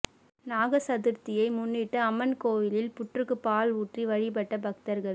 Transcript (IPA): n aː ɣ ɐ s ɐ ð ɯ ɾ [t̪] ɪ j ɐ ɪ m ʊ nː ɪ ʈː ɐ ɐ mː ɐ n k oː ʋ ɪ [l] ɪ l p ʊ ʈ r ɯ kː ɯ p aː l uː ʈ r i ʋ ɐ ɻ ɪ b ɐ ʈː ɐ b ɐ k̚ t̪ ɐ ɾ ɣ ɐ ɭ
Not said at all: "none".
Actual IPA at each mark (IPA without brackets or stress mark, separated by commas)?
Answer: t̪, l